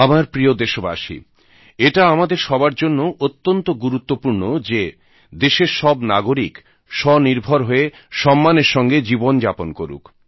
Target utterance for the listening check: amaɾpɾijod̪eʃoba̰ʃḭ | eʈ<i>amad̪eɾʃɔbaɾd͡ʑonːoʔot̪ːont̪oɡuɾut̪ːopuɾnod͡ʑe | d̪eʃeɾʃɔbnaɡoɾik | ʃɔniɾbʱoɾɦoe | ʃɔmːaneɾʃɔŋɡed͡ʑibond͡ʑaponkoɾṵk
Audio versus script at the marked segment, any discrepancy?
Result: yes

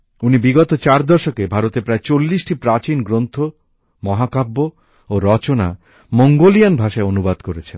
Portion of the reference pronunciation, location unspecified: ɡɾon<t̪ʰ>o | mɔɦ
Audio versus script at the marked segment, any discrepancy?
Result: no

